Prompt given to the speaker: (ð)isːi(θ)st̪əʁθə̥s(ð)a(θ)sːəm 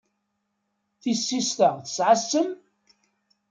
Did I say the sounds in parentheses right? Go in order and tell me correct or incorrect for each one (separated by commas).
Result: incorrect, incorrect, incorrect, incorrect